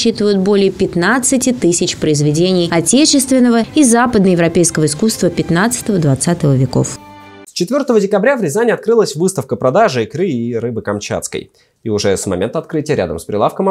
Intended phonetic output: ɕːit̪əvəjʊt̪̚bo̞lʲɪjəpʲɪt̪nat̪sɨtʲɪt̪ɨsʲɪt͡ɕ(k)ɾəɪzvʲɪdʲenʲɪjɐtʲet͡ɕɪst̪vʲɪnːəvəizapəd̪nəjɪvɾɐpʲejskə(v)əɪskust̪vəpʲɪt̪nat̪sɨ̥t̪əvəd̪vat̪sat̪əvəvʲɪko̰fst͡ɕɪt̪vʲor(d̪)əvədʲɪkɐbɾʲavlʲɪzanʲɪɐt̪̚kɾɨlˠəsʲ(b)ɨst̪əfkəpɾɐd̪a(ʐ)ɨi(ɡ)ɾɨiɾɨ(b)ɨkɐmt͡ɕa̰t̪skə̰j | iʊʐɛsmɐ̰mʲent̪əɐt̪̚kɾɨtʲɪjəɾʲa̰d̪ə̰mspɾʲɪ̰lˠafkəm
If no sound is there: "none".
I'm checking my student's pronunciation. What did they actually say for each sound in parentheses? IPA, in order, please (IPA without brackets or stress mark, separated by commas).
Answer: p, v, t̪, v, ʐ, k, b